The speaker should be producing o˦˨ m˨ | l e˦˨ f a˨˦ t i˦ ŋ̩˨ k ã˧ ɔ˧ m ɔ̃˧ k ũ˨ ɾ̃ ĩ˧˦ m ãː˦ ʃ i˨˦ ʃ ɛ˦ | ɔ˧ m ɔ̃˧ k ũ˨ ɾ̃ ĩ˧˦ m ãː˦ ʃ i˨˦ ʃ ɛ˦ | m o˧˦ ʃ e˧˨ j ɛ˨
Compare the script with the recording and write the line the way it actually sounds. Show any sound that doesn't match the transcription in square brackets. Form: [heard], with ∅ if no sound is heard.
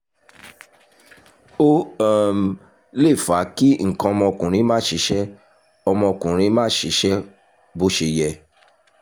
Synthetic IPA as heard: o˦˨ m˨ | l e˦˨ f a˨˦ [k] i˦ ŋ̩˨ k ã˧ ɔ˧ m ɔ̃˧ k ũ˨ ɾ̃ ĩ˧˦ m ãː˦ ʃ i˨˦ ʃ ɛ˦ | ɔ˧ m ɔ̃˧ k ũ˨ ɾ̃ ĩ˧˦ m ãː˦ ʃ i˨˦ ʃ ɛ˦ | [b] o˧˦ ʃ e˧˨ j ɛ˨